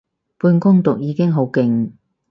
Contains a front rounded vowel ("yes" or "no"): no